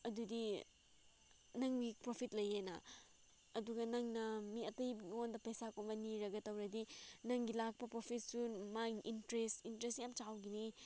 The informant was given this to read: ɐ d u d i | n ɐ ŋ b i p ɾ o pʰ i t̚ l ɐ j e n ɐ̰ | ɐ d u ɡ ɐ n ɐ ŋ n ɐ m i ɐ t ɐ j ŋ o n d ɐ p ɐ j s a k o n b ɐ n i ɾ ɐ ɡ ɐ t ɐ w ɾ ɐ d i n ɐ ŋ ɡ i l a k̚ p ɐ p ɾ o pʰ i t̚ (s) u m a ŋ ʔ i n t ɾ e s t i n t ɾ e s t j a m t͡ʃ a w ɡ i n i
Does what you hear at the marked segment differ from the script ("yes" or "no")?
no